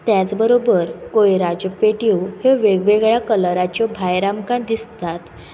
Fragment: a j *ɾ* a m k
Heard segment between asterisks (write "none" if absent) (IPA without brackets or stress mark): ɾ